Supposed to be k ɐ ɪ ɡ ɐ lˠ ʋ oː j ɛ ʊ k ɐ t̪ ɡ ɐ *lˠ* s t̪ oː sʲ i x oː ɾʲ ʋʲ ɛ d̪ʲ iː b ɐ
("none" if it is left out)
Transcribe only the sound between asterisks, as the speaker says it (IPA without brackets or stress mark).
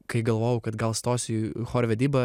lˠ